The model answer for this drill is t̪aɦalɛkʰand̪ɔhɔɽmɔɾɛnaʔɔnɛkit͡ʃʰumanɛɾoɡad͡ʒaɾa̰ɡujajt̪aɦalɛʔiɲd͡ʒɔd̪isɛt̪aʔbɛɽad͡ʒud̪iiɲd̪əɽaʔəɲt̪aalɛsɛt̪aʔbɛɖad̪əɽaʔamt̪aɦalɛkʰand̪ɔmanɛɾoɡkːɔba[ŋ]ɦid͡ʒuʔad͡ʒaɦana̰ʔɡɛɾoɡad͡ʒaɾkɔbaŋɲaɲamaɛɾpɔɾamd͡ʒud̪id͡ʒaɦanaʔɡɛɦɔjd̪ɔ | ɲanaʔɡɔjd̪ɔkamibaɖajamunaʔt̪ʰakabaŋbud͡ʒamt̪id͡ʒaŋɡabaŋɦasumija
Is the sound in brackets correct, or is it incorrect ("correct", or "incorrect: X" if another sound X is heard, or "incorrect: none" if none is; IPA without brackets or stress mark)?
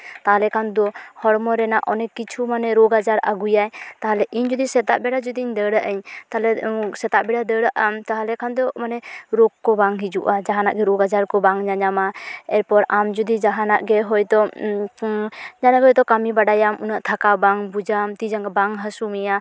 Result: correct